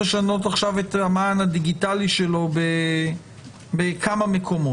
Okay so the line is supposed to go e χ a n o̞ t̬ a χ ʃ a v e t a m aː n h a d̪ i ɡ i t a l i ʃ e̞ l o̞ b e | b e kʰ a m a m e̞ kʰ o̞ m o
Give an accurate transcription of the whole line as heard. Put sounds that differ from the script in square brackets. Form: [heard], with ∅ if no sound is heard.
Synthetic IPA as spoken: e [ʃ] a n o̞ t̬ a χ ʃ a v e t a m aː n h a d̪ i ɡ i t a l i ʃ e̞ l o̞ b e | b e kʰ a m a m e̞ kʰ o̞ m o